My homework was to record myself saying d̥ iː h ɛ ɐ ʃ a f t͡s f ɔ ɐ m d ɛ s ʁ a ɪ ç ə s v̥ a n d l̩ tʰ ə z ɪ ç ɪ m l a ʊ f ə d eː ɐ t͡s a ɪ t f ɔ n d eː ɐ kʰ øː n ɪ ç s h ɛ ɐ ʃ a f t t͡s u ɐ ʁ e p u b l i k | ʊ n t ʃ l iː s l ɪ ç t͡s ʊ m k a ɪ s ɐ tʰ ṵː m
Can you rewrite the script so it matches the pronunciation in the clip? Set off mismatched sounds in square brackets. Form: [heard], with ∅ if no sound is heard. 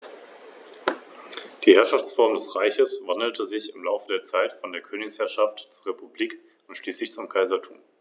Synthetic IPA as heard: d̥ iː h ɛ ɐ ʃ a f t͡s f ɔ ɐ m d ɛ s ʁ a ɪ ç ə s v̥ a n d l̩ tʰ ə z ɪ ç ɪ m l a ʊ f ə d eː ɐ t͡s a ɪ t f ɔ n d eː ɐ kʰ øː n ɪ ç s h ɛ ɐ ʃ a f t t͡s u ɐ ʁ e p u b l [iː] k | ʊ n t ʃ l iː s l ɪ ç t͡s ʊ m [kʰ] a ɪ [z] ɐ tʰ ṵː m